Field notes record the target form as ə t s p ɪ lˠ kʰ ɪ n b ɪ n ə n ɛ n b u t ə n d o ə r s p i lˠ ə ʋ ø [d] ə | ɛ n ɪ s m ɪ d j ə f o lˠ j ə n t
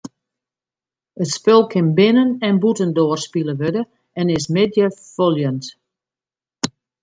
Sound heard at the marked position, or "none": d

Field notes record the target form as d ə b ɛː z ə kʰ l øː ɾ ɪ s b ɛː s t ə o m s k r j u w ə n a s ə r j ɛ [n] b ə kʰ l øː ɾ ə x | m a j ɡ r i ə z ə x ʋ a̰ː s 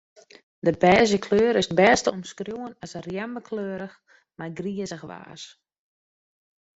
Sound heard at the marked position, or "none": m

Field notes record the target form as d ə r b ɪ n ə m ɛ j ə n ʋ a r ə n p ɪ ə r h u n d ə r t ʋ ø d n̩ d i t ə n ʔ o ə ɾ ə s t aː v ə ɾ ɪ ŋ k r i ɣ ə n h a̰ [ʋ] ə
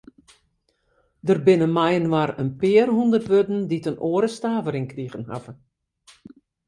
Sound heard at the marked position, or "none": v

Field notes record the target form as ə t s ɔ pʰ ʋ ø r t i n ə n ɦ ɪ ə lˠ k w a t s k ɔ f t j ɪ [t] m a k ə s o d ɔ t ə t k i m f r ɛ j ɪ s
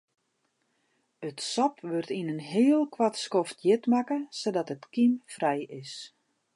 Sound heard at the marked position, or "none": t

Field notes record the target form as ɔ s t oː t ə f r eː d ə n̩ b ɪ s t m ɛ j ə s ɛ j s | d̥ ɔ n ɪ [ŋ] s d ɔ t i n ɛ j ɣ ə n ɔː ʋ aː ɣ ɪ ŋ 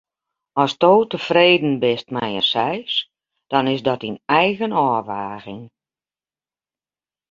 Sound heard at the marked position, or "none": none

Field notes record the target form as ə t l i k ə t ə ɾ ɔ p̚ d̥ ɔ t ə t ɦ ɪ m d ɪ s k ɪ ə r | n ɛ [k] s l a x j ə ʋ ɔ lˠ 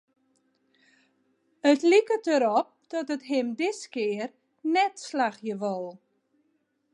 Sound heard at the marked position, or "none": t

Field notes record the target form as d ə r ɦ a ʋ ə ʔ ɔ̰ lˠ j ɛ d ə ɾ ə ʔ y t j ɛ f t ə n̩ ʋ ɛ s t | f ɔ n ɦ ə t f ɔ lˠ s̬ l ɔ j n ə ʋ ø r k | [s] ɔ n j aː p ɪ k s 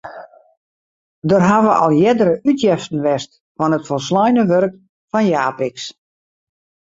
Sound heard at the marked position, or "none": f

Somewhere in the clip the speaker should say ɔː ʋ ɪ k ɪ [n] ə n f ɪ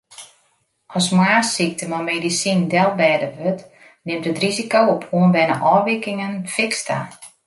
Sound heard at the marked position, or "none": ŋ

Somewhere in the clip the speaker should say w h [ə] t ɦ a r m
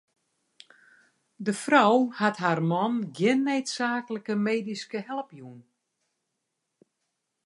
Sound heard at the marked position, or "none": a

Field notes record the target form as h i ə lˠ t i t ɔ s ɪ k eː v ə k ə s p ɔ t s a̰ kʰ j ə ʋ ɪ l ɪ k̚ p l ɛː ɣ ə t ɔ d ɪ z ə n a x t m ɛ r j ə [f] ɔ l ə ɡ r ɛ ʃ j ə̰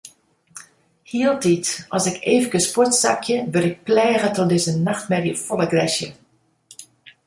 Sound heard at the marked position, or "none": f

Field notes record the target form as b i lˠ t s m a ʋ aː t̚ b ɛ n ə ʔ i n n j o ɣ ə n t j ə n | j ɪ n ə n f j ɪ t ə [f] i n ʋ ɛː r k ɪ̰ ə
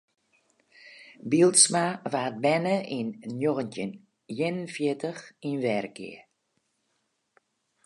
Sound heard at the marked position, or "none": x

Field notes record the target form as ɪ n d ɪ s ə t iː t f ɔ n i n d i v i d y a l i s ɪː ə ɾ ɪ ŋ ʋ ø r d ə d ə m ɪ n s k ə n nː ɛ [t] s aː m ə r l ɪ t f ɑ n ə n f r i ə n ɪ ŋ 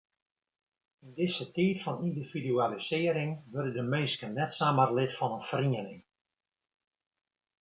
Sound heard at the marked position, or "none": t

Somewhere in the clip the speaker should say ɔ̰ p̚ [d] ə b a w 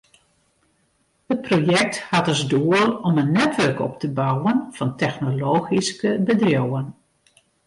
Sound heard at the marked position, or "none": t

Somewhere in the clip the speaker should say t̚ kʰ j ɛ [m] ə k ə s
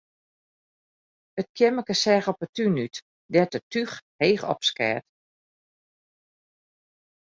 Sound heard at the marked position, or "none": m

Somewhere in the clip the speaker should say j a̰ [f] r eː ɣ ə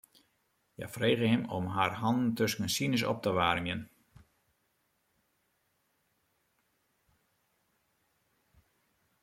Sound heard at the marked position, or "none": f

